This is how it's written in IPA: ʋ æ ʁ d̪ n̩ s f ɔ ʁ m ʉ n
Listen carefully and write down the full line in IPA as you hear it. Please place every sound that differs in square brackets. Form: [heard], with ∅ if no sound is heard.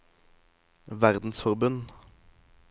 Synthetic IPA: ʋ æ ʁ d̪ n̩ s f ɔ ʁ [b] ʉ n